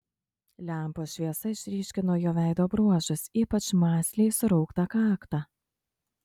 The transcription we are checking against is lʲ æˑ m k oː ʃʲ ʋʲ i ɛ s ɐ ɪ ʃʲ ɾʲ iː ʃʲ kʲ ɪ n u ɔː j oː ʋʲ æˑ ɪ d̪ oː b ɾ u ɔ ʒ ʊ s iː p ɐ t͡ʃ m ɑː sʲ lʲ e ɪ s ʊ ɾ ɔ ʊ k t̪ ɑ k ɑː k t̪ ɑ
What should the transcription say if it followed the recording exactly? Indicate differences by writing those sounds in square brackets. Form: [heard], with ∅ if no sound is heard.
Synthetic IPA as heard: lʲ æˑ m [p] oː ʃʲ ʋʲ i ɛ s ɐ ɪ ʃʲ ɾʲ iː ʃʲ kʲ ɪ n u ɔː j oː ʋʲ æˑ ɪ d̪ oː b ɾ u ɔ ʒ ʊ s iː p ɐ t͡ʃ m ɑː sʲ lʲ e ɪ s ʊ ɾ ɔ ʊ k t̪ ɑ k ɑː k t̪ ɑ